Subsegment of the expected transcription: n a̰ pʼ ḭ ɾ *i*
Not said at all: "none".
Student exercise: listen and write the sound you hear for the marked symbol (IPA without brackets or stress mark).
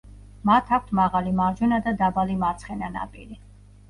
i